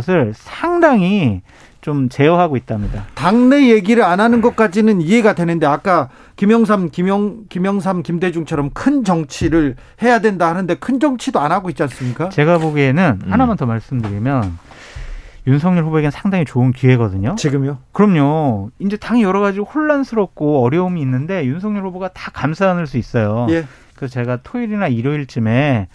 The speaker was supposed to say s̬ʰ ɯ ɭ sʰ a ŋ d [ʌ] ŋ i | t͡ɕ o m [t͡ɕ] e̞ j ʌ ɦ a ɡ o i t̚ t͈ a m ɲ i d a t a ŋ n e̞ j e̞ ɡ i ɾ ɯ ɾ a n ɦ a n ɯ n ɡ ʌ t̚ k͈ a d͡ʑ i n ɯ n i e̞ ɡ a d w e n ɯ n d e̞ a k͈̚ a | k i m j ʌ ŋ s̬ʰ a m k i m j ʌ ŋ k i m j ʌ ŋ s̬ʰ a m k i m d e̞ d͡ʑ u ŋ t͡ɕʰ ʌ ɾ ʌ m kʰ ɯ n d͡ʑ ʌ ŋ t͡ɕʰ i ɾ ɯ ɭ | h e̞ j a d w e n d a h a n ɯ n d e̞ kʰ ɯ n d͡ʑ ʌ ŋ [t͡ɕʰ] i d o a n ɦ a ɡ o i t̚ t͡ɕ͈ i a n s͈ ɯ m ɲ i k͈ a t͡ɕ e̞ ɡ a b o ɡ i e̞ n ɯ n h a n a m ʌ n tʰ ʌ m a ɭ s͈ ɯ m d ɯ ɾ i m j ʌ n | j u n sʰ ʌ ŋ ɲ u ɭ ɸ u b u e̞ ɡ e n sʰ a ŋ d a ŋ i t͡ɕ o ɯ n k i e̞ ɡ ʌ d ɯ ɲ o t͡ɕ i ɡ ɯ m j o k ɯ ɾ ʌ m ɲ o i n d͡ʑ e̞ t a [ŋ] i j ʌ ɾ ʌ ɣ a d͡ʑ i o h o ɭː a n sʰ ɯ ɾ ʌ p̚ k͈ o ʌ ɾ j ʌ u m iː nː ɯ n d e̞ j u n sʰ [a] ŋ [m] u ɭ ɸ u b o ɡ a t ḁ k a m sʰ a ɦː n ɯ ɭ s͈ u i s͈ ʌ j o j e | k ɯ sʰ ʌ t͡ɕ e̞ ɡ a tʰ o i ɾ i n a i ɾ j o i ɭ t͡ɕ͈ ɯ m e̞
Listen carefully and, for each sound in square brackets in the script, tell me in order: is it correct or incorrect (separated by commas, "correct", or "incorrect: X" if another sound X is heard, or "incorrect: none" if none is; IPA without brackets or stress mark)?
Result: incorrect: a, correct, correct, correct, incorrect: ʌ, incorrect: ɲ